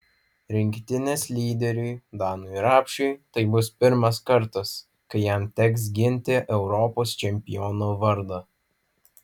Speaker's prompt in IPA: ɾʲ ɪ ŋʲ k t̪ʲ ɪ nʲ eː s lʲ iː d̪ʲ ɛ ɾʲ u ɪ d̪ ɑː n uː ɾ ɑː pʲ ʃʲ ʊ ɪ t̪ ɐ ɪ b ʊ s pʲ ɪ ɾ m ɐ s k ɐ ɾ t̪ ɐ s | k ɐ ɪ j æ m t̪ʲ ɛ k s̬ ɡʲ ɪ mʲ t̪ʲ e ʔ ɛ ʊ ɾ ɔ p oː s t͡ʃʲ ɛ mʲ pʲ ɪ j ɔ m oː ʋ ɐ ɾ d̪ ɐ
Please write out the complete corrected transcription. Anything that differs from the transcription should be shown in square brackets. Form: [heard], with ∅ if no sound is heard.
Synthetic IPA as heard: ɾʲ ɪ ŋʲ k t̪ʲ ɪ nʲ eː s lʲ iː d̪ʲ ɛ ɾʲ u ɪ d̪ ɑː n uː ɾ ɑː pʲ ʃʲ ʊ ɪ t̪ ɐ ɪ b ʊ s pʲ ɪ ɾ m ɐ s k ɐ ɾ t̪ ɐ s | k ɐ ɪ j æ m t̪ʲ ɛ k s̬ ɡʲ ɪ [nʲ] t̪ʲ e ʔ ɛ ʊ ɾ ɔ p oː s t͡ʃʲ ɛ mʲ pʲ ɪ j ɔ [n] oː ʋ ɐ ɾ d̪ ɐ